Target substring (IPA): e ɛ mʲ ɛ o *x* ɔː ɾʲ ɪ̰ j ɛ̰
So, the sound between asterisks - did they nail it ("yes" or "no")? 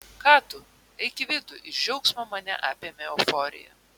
no